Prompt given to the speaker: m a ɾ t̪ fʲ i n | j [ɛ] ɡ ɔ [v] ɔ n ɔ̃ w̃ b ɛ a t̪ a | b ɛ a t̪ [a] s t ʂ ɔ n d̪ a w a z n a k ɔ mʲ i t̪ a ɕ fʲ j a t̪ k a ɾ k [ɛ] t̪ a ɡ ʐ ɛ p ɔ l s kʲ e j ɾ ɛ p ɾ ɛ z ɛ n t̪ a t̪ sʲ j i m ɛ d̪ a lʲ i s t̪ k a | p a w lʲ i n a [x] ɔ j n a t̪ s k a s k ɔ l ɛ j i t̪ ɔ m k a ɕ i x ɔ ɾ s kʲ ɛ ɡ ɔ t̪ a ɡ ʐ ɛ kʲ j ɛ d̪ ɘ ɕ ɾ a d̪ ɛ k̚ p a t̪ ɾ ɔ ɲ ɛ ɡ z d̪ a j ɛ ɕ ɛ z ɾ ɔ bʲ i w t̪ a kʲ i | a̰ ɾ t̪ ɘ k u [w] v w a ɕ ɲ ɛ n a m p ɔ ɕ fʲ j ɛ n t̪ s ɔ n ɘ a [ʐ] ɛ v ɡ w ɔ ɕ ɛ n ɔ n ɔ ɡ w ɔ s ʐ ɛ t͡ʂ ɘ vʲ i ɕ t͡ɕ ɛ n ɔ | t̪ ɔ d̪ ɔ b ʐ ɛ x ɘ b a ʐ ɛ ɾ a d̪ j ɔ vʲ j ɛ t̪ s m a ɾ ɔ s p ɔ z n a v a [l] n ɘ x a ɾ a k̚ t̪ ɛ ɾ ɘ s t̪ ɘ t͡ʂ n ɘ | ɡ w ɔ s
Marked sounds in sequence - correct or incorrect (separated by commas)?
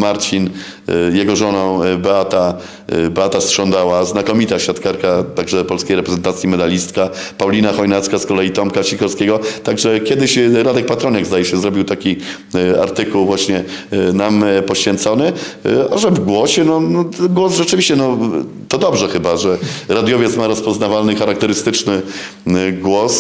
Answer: correct, incorrect, correct, incorrect, correct, correct, correct, correct